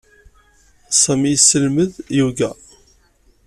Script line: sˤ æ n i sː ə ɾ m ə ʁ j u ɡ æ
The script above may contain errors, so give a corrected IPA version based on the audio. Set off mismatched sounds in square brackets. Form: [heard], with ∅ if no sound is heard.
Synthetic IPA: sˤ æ [m] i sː ə [l] m ə [ð] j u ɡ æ